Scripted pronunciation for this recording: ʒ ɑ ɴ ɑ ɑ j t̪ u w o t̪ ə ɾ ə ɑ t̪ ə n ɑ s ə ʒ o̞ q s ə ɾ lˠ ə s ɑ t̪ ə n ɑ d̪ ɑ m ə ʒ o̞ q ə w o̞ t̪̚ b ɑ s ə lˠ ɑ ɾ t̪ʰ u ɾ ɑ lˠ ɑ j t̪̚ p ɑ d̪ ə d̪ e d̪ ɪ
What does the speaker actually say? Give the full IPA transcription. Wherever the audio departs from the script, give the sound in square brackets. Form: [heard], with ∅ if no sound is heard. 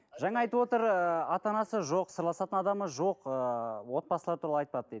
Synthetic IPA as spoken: ʒ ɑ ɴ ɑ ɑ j t̪ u w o t̪ ə ɾ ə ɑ t̪ [ɑ] n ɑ s ə ʒ o̞ q s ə ɾ lˠ [ɑ] s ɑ t̪ ə n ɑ d̪ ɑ m ə ʒ o̞ q ə w o̞ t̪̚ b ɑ s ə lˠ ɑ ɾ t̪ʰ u ɾ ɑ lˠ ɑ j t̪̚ p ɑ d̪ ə d̪ e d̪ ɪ

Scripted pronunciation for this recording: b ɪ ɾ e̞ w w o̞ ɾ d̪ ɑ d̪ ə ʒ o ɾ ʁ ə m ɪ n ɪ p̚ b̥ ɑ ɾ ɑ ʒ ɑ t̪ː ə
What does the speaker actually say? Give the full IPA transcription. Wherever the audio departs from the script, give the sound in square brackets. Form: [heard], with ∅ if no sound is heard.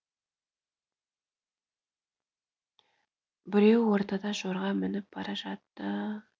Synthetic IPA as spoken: b ɪ ɾ e̞ w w o̞ ɾ [t̪] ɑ d̪ [ɑ] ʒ o ɾ ʁ [ɑ] m ɪ n ɪ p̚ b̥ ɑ ɾ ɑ ʒ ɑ t̪ː ə

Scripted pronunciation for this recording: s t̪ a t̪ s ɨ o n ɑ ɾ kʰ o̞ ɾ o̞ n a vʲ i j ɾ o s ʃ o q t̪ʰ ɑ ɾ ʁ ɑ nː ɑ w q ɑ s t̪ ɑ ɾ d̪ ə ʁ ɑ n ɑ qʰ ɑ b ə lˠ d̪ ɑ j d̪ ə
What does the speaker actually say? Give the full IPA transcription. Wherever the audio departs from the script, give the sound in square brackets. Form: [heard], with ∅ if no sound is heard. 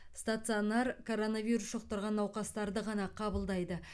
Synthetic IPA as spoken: s t̪ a t̪ s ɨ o n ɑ ɾ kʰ o̞ ɾ o̞ n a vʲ i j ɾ [u] s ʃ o q [t̪] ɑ ɾ ʁ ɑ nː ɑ w q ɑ s t̪ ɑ ɾ d̪ ə ʁ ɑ n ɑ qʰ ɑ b ə lˠ d̪ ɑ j d̪ ə

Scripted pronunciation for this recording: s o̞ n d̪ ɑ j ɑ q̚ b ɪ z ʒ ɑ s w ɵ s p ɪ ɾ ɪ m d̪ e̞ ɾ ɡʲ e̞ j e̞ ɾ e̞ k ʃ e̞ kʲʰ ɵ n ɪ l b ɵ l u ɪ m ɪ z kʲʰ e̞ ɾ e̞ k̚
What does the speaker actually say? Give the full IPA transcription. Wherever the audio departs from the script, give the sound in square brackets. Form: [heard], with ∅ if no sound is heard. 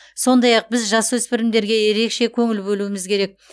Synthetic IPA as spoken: s o̞ n d̪ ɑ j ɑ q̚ b ɪ z ʒ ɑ s w ɵ s p ɪ ɾ ɪ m d̪ e̞ ɾ ɡʲ e̞ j e̞ ɾ e̞ k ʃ e̞ kʲʰ ɵ [ŋ] ɪ l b ɵ l u ɪ m ɪ z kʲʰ e̞ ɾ e̞ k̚

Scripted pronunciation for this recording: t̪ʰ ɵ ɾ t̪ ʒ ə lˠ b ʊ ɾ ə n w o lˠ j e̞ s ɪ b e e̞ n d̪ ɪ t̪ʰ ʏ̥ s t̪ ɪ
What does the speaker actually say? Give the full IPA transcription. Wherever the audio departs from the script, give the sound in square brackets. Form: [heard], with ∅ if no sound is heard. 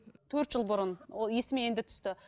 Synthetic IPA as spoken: t̪ʰ ɵ ɾ t̪ ʒ ə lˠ b ʊ ɾ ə n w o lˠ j e̞ s ɪ [m] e e̞ n d̪ ɪ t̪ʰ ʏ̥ s t̪ ɪ

